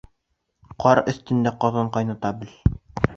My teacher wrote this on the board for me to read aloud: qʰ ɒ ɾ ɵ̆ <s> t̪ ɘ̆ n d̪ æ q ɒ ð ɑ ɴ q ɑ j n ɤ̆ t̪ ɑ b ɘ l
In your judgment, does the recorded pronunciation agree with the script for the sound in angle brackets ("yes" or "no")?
no